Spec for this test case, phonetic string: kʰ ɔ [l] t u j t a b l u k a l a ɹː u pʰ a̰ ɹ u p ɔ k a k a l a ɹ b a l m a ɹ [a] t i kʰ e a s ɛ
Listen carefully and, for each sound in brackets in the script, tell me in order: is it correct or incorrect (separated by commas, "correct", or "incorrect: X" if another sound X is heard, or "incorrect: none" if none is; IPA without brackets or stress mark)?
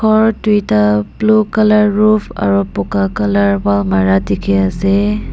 incorrect: ɹ, correct